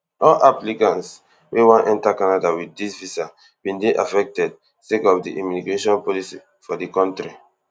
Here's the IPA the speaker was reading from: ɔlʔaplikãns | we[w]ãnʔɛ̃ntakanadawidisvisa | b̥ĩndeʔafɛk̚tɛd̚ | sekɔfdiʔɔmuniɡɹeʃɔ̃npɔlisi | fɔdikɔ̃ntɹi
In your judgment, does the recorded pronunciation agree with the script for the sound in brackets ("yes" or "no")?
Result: yes